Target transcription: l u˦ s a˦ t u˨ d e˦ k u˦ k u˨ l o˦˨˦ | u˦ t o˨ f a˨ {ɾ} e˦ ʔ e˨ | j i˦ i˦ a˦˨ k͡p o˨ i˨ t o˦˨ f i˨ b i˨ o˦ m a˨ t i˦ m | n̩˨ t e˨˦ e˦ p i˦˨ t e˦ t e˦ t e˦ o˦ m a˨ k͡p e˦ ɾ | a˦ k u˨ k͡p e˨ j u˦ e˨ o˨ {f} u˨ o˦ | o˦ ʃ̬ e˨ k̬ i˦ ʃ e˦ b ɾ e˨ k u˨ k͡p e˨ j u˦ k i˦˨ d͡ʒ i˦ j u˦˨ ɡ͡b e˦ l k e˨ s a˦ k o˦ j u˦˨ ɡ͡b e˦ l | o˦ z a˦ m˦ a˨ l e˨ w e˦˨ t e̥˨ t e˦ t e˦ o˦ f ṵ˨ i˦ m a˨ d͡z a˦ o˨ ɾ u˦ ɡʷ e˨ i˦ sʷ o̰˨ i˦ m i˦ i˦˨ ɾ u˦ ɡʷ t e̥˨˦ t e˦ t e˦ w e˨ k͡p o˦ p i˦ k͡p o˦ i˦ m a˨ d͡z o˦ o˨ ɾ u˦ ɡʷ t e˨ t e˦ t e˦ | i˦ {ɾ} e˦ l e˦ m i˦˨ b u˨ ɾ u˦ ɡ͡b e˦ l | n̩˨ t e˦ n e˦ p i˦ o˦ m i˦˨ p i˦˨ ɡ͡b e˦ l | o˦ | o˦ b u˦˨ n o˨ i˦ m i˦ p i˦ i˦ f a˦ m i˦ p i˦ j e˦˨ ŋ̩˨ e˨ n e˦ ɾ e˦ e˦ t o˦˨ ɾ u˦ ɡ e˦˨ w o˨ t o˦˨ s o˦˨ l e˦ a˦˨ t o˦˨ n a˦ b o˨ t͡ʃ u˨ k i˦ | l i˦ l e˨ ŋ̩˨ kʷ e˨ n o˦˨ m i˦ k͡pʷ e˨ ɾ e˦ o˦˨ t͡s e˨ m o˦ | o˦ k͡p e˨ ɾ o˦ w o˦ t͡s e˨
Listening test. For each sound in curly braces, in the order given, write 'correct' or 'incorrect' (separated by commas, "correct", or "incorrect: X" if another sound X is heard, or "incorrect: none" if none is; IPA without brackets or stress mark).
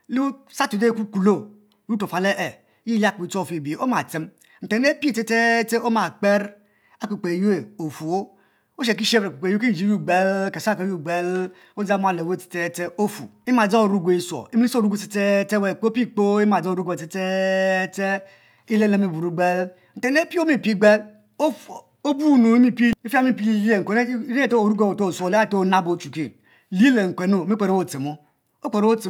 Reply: incorrect: l, correct, incorrect: l